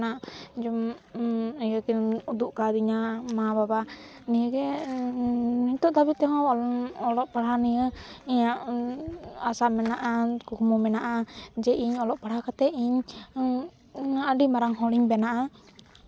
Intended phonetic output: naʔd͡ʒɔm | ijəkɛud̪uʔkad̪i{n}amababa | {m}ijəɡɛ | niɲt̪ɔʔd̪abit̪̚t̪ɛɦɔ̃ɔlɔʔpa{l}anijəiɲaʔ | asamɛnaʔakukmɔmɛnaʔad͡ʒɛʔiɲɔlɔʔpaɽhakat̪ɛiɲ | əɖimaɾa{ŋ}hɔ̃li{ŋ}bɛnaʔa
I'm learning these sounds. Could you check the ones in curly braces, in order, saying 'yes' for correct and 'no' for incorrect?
no, no, no, yes, no

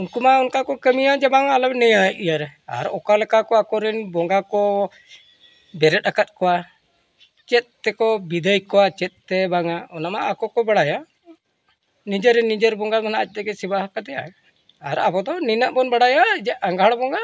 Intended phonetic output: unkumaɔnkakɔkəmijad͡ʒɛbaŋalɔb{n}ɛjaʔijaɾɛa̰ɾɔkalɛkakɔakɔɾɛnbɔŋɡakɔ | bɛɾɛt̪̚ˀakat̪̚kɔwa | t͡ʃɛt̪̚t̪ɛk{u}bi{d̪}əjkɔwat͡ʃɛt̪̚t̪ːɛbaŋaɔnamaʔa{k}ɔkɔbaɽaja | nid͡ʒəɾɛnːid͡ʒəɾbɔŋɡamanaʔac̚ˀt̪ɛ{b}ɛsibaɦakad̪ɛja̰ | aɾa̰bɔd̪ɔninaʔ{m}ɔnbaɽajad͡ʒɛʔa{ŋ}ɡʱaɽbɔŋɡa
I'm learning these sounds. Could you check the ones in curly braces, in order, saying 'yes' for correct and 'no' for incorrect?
yes, no, yes, yes, no, no, yes

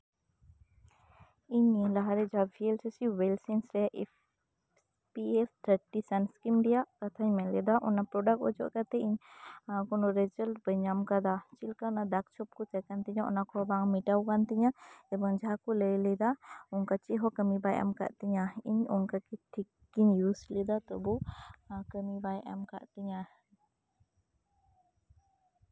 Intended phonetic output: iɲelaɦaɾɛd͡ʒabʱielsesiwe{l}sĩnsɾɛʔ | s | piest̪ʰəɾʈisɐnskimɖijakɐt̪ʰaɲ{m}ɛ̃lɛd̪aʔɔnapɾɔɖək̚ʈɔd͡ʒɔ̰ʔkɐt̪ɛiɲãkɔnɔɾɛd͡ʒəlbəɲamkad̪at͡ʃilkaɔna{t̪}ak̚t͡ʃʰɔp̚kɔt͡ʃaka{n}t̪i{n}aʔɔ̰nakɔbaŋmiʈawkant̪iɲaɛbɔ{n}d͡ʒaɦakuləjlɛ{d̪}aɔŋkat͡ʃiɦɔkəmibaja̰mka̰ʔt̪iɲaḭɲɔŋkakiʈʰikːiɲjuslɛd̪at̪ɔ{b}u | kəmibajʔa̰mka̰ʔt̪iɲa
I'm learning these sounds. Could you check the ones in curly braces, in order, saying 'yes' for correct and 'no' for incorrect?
yes, yes, no, yes, no, no, yes, yes

